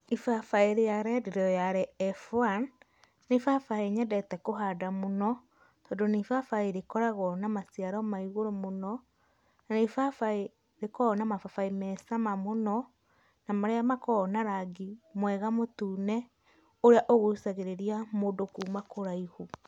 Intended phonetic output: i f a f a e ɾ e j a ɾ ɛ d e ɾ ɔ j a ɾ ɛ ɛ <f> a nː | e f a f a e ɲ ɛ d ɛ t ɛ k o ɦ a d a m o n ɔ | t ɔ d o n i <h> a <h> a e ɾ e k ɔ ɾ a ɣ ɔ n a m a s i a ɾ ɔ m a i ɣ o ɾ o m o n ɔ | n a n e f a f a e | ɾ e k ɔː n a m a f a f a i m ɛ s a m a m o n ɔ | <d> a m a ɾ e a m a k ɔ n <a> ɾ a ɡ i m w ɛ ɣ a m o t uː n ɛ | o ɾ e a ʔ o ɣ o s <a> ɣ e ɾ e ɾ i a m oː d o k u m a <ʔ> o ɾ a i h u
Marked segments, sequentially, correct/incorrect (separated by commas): correct, incorrect, incorrect, incorrect, correct, correct, incorrect